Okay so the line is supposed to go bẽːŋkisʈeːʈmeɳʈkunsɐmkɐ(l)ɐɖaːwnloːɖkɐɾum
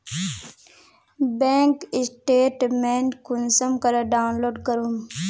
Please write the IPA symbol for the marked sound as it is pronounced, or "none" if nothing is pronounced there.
ɾ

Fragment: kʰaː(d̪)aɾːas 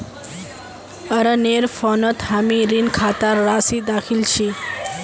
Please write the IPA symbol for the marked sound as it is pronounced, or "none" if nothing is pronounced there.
t̪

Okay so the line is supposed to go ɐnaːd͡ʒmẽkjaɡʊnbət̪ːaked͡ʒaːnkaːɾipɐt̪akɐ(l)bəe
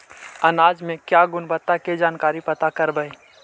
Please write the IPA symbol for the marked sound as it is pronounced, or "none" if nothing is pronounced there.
ɾ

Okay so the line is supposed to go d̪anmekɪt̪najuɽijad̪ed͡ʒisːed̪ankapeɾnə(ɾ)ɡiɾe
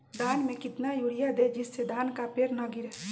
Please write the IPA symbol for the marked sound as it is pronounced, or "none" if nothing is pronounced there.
none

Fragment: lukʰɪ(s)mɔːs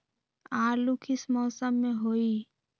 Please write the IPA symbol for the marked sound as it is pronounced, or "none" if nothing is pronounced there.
s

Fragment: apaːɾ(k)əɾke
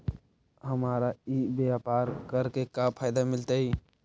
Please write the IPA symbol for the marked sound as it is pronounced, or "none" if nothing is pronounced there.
k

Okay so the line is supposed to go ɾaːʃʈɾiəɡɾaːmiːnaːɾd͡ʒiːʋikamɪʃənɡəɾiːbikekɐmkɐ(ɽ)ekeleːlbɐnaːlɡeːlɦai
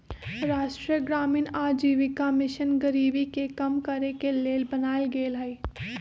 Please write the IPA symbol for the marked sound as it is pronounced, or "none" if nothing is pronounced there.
ɾ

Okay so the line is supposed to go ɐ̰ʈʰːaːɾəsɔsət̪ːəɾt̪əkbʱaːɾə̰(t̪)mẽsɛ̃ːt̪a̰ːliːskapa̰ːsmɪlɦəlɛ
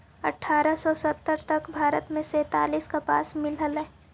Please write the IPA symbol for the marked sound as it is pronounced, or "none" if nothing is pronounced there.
t̪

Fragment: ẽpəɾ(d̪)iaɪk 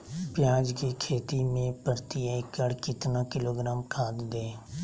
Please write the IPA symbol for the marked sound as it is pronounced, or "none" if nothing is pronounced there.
t̪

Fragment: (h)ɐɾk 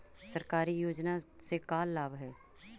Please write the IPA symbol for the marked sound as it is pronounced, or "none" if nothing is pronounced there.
s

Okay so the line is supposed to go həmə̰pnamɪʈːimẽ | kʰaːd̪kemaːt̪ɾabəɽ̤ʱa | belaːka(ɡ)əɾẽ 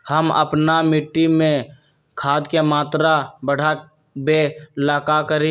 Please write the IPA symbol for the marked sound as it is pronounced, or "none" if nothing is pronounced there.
k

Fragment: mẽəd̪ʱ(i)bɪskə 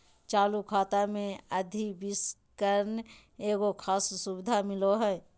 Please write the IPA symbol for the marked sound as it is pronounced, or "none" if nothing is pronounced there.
i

